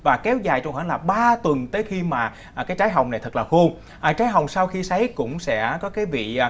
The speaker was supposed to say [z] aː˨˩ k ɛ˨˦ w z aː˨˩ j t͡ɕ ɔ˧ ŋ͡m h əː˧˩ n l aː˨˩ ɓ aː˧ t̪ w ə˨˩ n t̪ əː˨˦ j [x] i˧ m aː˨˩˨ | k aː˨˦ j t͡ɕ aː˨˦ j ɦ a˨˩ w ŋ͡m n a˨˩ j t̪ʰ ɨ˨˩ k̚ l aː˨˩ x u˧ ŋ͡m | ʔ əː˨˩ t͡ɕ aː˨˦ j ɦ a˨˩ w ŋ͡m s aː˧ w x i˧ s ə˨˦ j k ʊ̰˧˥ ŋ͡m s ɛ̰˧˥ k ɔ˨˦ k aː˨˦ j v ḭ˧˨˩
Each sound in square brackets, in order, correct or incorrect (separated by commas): incorrect, correct